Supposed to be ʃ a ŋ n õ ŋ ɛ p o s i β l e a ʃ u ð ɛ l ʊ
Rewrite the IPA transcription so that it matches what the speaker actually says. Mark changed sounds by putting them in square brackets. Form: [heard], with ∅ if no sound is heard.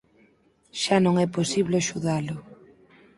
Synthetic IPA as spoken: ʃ a [∅] n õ ŋ ɛ p o s i β l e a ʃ u ð [a] l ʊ